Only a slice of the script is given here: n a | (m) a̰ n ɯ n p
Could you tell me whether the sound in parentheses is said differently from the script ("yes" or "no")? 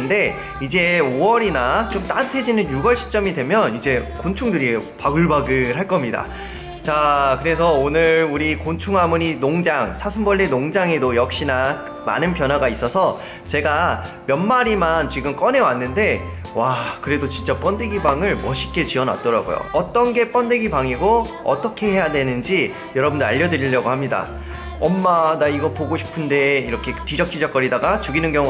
no